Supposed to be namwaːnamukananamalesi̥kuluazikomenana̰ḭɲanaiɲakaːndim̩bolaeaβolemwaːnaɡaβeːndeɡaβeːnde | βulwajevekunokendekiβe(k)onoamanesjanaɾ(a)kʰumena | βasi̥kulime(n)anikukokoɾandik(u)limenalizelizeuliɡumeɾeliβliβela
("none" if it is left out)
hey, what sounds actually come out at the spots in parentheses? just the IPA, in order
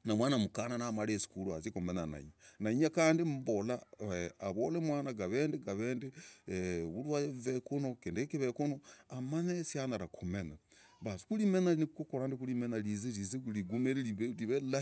k, a, n, u

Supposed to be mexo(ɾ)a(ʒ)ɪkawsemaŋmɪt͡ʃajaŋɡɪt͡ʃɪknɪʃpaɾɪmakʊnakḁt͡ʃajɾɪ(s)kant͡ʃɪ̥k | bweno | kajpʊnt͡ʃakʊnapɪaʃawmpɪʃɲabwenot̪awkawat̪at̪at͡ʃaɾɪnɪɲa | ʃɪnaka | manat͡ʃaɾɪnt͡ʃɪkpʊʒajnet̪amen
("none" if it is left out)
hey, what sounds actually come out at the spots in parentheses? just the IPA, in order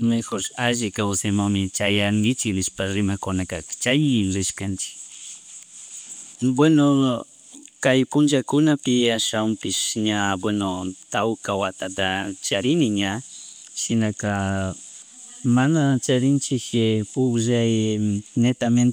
ɾ, ʒ, ʃ

